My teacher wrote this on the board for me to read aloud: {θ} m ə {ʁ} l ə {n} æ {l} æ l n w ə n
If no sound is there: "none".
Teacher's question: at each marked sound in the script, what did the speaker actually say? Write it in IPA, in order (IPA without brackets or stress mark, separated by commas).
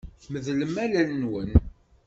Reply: θ, ð, m, l